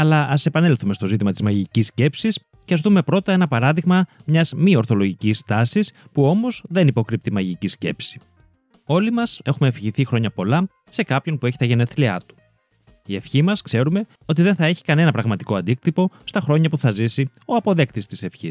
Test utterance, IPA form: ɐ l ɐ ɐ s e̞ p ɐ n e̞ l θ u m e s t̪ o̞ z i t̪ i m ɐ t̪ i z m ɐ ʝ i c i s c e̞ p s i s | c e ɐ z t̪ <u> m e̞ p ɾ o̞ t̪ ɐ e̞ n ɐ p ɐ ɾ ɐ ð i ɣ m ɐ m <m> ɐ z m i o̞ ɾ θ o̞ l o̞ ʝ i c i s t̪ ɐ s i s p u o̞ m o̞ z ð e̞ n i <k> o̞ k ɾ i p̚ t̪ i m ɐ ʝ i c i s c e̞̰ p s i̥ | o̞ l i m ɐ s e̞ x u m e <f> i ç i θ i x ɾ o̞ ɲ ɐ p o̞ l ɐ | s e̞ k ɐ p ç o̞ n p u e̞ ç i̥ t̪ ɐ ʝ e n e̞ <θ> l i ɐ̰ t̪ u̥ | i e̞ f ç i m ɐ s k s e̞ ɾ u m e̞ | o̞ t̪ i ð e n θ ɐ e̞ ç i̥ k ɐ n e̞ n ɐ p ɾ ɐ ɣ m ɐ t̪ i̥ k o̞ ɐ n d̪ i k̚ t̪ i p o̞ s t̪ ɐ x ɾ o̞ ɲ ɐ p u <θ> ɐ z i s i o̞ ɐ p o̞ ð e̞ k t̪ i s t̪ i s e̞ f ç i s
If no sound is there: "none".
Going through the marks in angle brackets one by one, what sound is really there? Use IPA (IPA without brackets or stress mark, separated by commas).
u, ɲ, p, f, θ, θ